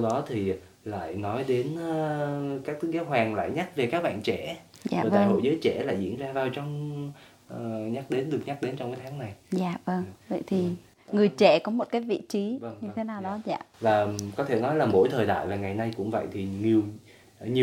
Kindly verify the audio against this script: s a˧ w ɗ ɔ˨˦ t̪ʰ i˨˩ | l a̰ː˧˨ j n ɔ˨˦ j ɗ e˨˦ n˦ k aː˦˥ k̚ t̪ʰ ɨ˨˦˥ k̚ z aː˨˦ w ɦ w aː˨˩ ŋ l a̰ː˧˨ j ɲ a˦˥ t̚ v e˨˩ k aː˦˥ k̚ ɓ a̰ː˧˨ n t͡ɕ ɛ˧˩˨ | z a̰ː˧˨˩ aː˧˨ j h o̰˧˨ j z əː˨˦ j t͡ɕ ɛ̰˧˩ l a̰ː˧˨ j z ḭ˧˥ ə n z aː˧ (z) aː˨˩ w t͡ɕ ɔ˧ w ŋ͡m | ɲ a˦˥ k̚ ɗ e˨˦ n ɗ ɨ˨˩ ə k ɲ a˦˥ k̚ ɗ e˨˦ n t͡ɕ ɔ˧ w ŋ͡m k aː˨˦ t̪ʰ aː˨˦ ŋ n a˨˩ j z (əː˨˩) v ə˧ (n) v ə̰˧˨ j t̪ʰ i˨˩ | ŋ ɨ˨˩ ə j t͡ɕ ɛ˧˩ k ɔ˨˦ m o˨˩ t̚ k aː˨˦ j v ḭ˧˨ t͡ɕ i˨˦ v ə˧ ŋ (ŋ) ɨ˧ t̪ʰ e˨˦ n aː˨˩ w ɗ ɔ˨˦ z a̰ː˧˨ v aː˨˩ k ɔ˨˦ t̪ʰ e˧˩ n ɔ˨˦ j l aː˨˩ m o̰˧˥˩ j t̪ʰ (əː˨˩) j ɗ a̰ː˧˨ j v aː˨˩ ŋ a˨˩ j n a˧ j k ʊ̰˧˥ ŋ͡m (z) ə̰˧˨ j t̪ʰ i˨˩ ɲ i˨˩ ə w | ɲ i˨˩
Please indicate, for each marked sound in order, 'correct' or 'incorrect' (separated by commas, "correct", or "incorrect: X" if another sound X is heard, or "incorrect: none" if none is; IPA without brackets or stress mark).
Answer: incorrect: v, incorrect: aː˨˩, incorrect: ŋ, incorrect: ɲ, correct, incorrect: v